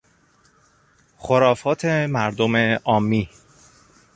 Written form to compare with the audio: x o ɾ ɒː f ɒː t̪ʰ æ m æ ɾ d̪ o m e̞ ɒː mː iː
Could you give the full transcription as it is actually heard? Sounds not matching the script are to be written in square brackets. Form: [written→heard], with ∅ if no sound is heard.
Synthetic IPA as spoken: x o ɾ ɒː f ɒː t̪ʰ [æ→e] m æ ɾ d̪ o m e̞ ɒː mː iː